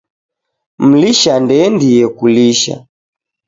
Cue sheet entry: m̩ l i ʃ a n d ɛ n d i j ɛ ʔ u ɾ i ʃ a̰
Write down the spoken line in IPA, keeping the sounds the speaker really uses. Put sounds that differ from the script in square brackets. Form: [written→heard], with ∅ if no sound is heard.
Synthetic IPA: m̩ l i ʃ a n d ɛ n d i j ɛ [ʔ→k] u [ɾ→l] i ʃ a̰